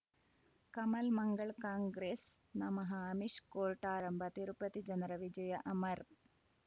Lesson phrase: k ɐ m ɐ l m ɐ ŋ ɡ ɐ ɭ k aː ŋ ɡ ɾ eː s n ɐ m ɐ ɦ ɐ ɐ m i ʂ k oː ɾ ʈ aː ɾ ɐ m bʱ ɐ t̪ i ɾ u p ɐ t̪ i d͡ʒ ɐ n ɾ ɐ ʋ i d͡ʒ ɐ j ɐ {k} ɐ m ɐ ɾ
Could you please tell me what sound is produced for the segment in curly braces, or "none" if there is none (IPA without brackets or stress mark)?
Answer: ʔ